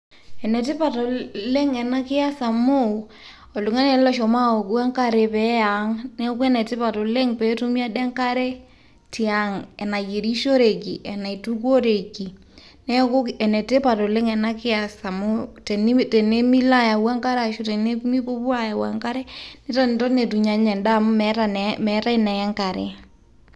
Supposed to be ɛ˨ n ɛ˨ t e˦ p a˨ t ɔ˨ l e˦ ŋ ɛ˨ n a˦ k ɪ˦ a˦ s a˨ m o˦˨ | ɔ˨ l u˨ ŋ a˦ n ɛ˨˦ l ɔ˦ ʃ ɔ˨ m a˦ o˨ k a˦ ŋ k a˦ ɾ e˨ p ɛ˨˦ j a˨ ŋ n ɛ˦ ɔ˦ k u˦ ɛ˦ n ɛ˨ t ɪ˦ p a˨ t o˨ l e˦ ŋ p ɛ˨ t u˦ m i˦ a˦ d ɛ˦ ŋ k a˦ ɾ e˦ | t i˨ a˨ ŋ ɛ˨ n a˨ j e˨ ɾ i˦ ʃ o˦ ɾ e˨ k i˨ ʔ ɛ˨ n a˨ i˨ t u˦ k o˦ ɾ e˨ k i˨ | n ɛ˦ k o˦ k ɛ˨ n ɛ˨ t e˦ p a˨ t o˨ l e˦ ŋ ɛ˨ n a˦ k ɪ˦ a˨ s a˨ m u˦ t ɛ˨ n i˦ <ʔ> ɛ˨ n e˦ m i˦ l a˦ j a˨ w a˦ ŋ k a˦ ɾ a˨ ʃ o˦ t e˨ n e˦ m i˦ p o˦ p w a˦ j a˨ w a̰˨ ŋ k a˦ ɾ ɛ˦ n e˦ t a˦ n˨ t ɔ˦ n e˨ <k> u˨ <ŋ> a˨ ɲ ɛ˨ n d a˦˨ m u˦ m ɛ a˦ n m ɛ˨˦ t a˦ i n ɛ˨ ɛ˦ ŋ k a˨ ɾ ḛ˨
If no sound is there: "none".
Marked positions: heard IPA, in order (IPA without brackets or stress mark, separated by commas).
t, t, ɲ